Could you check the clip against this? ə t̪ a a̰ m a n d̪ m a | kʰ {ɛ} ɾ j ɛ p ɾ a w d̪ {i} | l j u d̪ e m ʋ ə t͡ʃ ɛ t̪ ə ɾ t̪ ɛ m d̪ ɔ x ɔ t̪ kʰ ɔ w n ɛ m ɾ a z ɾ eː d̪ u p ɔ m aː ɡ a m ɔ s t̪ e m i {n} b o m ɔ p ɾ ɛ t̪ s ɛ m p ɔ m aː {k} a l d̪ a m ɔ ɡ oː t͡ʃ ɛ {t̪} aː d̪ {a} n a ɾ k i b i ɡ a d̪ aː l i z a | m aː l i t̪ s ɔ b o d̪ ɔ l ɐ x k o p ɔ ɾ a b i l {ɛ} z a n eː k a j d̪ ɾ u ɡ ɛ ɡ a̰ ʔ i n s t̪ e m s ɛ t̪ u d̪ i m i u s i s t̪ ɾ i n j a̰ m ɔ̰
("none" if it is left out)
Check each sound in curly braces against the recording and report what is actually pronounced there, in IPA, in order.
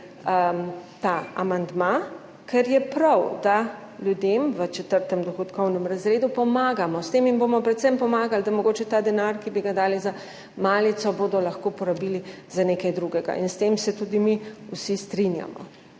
ɛ, a, n, ɡ, t̪, ɛ, i

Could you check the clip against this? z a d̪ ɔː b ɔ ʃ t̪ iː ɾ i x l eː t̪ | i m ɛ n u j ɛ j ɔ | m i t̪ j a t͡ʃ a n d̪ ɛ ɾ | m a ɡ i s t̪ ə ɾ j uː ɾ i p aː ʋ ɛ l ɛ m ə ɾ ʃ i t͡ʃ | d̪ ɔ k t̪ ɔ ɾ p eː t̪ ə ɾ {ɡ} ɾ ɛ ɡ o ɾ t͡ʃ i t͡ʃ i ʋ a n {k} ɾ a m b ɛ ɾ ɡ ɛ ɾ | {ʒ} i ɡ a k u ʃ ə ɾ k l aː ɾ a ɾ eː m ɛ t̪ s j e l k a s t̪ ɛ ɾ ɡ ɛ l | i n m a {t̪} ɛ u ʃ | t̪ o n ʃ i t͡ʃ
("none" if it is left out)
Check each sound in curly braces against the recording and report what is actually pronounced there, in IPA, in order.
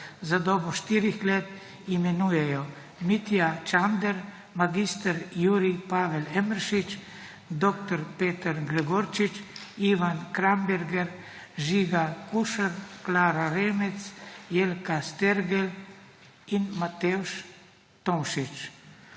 ɡ, k, ʒ, t̪

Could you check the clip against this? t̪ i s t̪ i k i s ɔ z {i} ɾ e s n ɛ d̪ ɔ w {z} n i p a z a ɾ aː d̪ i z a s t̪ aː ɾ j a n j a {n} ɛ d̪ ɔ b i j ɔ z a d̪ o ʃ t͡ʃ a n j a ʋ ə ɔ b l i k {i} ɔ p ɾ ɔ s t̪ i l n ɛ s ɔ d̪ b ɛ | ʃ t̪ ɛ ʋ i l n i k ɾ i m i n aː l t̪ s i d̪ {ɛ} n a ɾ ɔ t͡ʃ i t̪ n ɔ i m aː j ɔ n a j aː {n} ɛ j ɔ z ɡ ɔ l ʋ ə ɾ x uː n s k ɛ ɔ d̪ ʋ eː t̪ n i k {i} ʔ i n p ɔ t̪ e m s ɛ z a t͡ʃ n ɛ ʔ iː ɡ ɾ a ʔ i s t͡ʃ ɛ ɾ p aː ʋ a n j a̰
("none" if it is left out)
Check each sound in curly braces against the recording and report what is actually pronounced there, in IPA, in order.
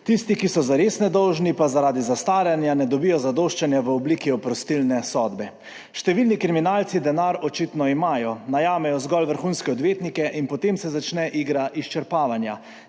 a, ʒ, n, i, ɛ, m, ɛ

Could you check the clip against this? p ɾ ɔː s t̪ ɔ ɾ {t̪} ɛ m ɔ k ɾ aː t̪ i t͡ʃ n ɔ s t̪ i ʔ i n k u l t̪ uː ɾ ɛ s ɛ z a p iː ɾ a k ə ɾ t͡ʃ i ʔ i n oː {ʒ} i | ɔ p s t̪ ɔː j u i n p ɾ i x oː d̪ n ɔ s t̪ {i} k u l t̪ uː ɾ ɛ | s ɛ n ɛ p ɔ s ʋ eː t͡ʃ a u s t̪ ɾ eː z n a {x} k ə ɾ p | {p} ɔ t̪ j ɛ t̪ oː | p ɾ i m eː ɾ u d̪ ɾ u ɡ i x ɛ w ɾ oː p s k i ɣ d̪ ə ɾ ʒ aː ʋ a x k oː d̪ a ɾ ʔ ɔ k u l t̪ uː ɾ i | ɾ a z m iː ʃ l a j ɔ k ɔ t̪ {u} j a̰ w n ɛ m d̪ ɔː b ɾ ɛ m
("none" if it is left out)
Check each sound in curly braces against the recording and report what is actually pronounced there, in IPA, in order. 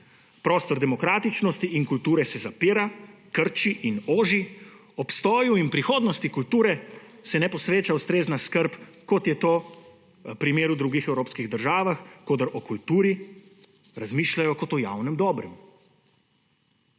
d̪, ʒ, i, s, k, ɔ

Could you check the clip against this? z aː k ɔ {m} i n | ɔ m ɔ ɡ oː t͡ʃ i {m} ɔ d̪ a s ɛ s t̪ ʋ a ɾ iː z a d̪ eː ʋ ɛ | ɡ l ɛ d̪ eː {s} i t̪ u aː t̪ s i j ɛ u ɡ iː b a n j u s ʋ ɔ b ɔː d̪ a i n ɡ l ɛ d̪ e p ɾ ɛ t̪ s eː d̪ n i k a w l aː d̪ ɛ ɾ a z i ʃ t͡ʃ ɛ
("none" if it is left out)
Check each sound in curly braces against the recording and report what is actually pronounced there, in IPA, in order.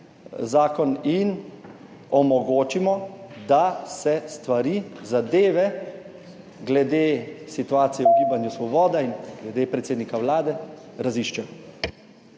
n, m, s

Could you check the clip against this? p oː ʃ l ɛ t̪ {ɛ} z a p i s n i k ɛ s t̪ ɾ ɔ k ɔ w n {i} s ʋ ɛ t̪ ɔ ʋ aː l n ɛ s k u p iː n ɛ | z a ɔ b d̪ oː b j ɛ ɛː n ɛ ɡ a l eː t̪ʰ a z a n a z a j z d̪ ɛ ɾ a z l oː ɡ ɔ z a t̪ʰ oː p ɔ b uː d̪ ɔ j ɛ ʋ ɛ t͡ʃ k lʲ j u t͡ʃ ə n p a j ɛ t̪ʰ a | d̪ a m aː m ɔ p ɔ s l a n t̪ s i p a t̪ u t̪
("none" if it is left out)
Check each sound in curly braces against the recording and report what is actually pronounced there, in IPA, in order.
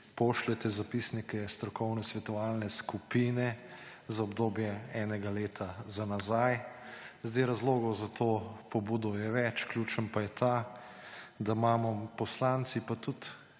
ɛ, ɛ

